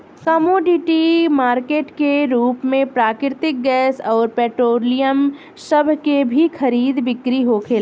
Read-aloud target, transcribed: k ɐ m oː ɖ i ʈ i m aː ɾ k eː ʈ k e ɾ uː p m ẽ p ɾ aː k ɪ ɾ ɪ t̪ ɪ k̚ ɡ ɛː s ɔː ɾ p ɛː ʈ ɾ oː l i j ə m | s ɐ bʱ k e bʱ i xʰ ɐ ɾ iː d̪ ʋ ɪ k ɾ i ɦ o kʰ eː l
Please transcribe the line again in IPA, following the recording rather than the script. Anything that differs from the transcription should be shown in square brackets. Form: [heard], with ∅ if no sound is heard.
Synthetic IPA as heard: k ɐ m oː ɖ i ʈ i m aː ɾ k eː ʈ k e ɾ uː p m ẽ p ɾ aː k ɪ ɾ ɪ t̪ ɪ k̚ ɡ ɛː s ɔː ɾ p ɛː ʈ ɾ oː l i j ə m | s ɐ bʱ k e bʱ i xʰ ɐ ɾ iː d̪ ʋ ɪ k ɾ i ɦ o kʰ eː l

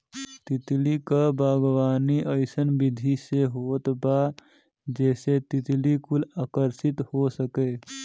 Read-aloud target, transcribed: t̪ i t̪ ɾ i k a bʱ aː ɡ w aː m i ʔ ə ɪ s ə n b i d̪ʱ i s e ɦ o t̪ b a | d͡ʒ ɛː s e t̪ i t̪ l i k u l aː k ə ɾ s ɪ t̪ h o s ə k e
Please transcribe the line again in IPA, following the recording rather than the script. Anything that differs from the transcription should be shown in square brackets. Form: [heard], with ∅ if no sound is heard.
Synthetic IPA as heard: t̪ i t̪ [l] i k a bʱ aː ɡ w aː [n] i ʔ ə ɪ s ə n b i d̪ʱ i s e ɦ o t̪ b a | d͡ʒ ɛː s e t̪ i t̪ l i k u l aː k ə ɾ s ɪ t̪ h o s ə k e

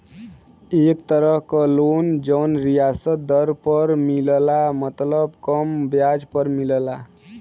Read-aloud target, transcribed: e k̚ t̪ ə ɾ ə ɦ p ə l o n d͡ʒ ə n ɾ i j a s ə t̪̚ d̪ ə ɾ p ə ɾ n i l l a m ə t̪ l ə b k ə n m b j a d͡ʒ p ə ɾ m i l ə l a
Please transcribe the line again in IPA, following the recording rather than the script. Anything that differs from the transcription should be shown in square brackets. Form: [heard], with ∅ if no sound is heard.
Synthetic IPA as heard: e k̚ t̪ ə ɾ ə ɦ [k] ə l o n d͡ʒ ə n ɾ i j a s ə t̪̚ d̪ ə ɾ p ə ɾ [m] i l l a m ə t̪ l ə b k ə [∅] m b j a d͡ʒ p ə ɾ m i l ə l a

